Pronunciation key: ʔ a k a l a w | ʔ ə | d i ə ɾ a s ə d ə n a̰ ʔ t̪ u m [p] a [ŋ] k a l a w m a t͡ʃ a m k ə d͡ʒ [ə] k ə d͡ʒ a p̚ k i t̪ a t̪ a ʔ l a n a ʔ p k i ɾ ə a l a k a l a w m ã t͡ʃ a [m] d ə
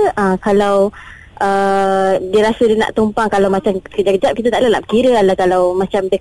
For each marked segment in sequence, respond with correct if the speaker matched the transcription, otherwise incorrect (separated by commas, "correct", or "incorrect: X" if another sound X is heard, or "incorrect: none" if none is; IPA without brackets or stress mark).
correct, correct, incorrect: a, correct